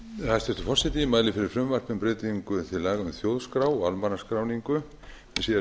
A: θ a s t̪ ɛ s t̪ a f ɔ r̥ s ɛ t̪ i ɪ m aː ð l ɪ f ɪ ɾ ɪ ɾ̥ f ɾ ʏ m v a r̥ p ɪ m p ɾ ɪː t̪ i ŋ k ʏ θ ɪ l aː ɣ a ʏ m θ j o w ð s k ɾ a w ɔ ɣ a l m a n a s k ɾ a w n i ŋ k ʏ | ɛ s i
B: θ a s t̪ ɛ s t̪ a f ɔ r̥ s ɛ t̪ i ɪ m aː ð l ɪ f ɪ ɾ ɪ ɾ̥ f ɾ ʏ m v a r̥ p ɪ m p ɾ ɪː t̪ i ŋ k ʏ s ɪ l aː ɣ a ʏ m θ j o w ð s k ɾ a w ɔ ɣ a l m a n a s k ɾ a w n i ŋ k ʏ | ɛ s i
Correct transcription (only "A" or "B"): A